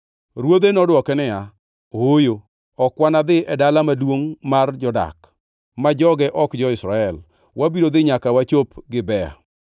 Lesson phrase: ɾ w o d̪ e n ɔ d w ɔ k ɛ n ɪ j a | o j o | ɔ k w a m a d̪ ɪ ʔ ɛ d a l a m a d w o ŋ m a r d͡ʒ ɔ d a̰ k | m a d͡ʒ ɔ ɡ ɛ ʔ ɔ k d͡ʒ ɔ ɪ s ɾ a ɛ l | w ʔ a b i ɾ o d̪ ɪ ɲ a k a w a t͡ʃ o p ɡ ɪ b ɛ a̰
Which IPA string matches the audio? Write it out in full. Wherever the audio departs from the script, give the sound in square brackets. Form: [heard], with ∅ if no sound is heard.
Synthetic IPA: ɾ w o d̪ e n ɔ d w ɔ k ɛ n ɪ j a | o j o | ɔ k w a [n] a d̪ ɪ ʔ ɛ d a l a m a d w o ŋ m a r d͡ʒ ɔ d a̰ k | m a d͡ʒ ɔ ɡ ɛ ʔ ɔ k d͡ʒ ɔ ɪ s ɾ a ɛ l | w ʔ a b i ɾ o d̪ ɪ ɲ a k a w a t͡ʃ o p ɡ ɪ b ɛ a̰